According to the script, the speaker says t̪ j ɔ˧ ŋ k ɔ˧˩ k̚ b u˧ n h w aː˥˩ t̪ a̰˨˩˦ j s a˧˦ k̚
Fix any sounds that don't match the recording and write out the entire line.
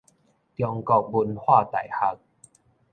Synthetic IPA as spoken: t̪ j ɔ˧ ŋ k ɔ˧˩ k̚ b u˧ n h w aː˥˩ t̪ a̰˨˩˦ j h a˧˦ k̚